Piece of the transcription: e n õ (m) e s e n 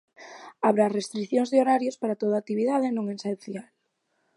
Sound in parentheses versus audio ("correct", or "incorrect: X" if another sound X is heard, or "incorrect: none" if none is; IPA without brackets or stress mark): incorrect: ŋ